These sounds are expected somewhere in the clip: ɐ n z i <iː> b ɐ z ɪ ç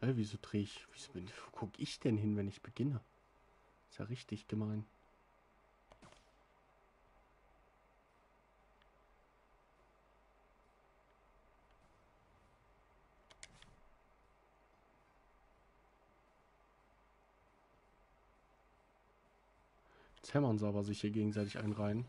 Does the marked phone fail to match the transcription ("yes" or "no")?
yes